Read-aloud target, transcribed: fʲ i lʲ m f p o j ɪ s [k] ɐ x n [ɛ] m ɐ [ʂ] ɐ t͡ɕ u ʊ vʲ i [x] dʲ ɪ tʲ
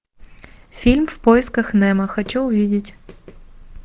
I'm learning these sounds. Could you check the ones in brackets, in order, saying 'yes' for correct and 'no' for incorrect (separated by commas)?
yes, yes, no, no